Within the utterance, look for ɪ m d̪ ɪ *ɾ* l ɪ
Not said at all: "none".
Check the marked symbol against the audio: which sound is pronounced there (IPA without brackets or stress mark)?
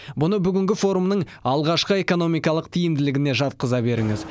none